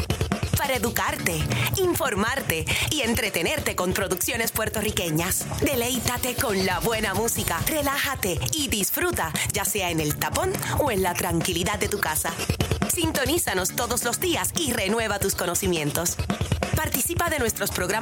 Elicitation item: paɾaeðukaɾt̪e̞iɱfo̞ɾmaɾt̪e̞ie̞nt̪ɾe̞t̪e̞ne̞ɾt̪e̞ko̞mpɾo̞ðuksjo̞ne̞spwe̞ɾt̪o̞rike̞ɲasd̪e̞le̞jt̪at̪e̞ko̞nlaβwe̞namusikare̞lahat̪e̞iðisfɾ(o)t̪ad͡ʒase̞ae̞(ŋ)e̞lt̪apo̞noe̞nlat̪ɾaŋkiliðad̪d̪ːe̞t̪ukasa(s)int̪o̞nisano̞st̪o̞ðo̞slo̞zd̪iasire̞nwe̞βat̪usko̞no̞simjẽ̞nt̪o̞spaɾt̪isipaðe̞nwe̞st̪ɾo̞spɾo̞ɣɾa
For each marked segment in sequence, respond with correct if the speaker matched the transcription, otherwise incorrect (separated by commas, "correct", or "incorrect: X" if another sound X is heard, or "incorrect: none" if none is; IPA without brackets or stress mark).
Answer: incorrect: u, incorrect: n, correct